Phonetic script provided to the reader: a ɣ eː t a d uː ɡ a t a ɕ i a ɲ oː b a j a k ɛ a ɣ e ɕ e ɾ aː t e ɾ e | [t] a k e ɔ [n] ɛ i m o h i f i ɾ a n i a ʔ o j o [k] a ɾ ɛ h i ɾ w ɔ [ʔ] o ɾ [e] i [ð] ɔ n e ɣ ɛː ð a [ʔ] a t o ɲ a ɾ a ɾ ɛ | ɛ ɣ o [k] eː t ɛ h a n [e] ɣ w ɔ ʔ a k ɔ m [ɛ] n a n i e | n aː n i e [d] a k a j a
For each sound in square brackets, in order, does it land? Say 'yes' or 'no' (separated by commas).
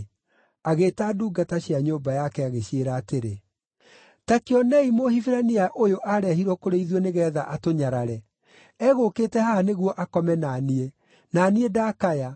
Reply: yes, yes, no, no, yes, yes, yes, yes, yes, yes, yes